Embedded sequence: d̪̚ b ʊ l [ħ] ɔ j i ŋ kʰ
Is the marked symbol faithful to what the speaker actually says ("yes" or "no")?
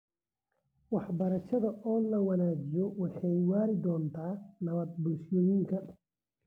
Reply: no